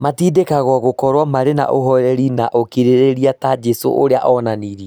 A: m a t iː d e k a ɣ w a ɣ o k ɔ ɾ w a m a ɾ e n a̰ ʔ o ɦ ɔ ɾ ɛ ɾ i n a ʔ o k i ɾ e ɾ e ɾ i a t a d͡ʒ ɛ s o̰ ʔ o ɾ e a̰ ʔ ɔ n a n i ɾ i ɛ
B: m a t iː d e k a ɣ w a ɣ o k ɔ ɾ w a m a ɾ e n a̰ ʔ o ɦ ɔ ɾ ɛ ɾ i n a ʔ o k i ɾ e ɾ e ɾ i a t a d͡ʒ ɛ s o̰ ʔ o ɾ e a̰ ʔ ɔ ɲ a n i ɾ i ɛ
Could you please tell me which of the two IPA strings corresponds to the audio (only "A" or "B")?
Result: A